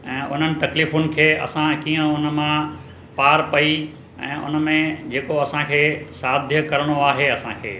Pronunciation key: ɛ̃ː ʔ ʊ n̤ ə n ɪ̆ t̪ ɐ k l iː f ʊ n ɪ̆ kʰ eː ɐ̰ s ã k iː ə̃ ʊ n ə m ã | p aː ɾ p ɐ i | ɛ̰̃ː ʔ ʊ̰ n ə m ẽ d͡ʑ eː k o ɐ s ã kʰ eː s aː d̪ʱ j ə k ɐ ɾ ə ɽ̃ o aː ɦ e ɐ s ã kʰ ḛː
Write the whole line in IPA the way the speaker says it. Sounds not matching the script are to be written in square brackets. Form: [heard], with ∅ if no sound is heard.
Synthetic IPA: ɛ̃ː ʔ ʊ n̤ ə n ɪ̆ t̪ ɐ k l iː f ʊ n ɪ̆ kʰ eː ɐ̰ s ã k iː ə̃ ʊ n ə m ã | p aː ɾ p ɐ i | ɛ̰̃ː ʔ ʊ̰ n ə m ẽ d͡ʑ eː k o ɐ s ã kʰ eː s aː d̪ʱ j ə k ɐ ɾ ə ɽ̃ o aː ɦ e ɐ s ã kʰ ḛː

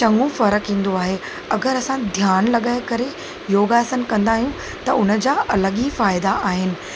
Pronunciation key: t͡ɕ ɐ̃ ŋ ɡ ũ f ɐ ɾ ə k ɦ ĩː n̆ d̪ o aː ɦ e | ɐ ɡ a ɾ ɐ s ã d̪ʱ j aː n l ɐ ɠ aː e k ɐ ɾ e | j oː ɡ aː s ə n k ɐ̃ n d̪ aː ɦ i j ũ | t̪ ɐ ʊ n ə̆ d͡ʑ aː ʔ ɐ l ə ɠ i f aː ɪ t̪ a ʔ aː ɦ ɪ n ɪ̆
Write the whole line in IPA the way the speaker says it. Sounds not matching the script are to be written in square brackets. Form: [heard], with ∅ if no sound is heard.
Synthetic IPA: t͡ɕ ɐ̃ ŋ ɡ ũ f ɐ ɾ ə k ɦ ĩː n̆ d̪ o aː ɦ e | ɐ ɡ [ə] ɾ ɐ s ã d̪ʱ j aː n l ɐ ɠ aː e k ɐ ɾ e | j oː ɡ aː s ə n k ɐ̃ n d̪ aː ɦ i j ũ | t̪ ɐ ʊ n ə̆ d͡ʑ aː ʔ ɐ l ə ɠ i f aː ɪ [d̪] a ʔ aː ɦ ɪ n ɪ̆

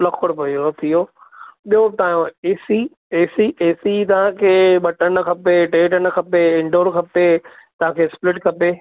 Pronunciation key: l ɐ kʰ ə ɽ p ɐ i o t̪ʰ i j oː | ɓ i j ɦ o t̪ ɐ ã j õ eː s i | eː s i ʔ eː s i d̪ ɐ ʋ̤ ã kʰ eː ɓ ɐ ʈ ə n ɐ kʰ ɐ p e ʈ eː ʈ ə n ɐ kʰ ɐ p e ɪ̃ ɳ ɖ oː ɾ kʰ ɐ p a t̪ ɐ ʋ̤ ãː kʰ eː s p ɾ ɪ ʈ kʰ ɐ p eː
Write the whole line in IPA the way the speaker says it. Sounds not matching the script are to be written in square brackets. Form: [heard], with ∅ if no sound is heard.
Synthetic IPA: l ɐ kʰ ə ɽ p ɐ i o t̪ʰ i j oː | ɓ i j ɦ o t̪ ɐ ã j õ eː s i | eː s i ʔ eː s i [t̪] ɐ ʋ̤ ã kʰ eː ɓ ɐ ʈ ə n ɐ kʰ ɐ p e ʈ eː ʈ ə n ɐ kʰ ɐ p e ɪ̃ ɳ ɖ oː ɾ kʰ ɐ p [e] t̪ ɐ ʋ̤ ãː kʰ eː s p [l] ɪ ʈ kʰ ɐ p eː

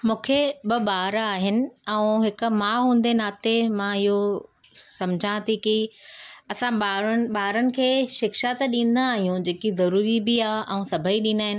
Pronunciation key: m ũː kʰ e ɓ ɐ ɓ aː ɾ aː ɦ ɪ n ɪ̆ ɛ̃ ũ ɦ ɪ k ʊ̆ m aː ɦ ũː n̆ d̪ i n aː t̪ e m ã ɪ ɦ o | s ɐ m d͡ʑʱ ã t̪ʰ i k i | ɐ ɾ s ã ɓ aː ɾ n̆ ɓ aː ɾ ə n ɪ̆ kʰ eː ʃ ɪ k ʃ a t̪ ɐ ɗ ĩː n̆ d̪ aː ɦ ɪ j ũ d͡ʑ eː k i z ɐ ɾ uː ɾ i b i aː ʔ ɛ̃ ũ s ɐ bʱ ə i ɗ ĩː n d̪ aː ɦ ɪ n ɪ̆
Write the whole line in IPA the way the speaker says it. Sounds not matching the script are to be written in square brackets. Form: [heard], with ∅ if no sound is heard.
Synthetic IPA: m ũː kʰ e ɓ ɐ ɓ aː ɾ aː ɦ ɪ n ɪ̆ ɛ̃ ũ ɦ ɪ k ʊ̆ m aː ɦ ũː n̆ d̪ [e] n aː t̪ e m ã ɪ ɦ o | s ɐ m d͡ʑʱ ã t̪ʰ i k i | ɐ [∅] s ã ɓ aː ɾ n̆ ɓ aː ɾ ə n ɪ̆ kʰ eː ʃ ɪ k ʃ a t̪ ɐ ɗ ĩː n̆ d̪ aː ɦ [i] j ũ d͡ʑ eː k i z ɐ ɾ uː ɾ i b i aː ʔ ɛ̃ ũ s ɐ bʱ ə i ɗ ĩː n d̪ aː ɦ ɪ n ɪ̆

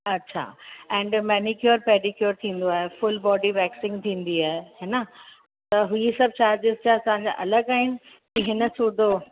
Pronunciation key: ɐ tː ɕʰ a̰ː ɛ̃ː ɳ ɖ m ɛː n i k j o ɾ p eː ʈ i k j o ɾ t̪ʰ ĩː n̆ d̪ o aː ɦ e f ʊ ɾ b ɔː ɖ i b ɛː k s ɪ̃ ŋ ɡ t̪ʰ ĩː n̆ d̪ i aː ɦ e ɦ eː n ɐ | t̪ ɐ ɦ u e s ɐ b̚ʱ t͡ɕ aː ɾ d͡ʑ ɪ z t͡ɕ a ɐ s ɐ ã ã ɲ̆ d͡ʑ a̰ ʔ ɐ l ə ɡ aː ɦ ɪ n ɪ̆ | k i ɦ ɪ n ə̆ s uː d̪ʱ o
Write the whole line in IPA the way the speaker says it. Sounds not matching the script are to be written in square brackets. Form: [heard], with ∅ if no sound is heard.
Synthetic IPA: ɐ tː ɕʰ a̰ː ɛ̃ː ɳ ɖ m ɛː n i k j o ɾ p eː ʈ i k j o ɾ t̪ʰ ĩː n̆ d̪ o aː ɦ e f ʊ [l] b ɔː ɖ i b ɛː k s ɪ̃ ŋ ɡ t̪ʰ ĩː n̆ d̪ i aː ɦ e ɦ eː n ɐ | t̪ ɐ ɦ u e s ɐ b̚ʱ t͡ɕ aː ɾ d͡ʑ ɪ z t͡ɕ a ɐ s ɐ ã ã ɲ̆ d͡ʑ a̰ ʔ ɐ l ə ɡ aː ɦ ɪ n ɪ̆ | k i ɦ ɪ n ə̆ s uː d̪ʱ o

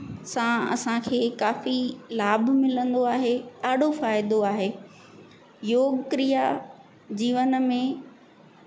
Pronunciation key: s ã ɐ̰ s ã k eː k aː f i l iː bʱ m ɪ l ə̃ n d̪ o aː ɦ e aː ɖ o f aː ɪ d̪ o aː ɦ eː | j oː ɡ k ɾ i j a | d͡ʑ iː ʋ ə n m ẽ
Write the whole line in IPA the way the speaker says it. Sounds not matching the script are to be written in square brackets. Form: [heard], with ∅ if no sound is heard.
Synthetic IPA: s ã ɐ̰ s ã [kʰ] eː k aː f i l [aː] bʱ m ɪ l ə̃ n d̪ o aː ɦ e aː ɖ o f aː ɪ d̪ o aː ɦ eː | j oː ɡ k ɾ i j a | d͡ʑ iː ʋ ə n m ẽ

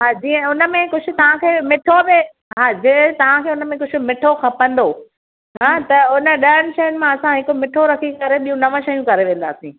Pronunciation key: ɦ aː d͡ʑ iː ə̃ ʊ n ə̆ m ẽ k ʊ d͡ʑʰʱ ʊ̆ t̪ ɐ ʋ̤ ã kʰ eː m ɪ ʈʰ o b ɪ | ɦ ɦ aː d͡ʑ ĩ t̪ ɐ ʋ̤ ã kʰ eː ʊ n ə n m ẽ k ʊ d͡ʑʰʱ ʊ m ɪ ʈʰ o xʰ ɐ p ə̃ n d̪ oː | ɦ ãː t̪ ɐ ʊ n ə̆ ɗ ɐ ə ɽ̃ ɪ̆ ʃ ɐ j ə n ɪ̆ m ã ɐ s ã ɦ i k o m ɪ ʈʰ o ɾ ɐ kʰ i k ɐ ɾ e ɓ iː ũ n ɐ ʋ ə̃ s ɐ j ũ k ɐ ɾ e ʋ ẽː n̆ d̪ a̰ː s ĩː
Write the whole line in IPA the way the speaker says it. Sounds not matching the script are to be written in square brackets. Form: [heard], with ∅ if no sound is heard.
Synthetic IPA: ɦ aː d͡ʑ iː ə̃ ʊ n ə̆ m ẽ k ʊ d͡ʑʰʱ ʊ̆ t̪ ɐ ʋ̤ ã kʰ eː m ɪ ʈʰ o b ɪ | ɦ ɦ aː d͡ʑ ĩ t̪ ɐ ʋ̤ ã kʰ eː ʊ n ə [∅] m ẽ k ʊ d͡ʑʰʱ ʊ m ɪ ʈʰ o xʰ ɐ p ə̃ n d̪ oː | ɦ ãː t̪ ɐ ʊ n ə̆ ɗ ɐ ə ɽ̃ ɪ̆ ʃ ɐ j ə n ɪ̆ m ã ɐ s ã ɦ [ɪ] k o m ɪ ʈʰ o ɾ ɐ kʰ i k ɐ ɾ e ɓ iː ũ n ɐ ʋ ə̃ [ʃ] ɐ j ũ k ɐ ɾ e ʋ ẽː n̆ d̪ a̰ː s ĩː

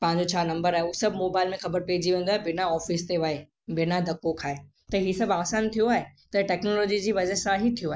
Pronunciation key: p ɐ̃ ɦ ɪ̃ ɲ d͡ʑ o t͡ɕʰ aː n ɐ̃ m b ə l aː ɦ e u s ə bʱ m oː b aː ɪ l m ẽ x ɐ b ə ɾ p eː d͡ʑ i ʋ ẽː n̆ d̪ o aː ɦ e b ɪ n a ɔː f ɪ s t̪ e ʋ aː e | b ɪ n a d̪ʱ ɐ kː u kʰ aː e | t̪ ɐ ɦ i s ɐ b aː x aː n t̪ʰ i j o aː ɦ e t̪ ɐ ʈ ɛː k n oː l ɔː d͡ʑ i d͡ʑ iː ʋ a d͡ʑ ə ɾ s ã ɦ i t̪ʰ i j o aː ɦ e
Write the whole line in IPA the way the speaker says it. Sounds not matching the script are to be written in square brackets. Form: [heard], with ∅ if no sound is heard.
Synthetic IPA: p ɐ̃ ɦ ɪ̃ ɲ d͡ʑ o t͡ɕʰ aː n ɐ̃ m b ə [ɾ] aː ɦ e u s [ɐ] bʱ m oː b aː ɪ l m ẽ x ɐ b ə ɾ p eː d͡ʑ i ʋ ẽː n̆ d̪ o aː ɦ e b ɪ n a ɔː f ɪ s t̪ e ʋ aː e | b ɪ n a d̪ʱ ɐ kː [o] kʰ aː e | t̪ ɐ ɦ i s ɐ b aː [s] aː n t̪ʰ i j o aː ɦ e t̪ ɐ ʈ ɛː k n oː l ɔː d͡ʑ i d͡ʑ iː ʋ [ɐ] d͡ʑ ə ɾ s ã ɦ i t̪ʰ i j o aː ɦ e

